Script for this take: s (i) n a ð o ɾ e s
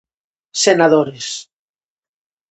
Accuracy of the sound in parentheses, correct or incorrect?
incorrect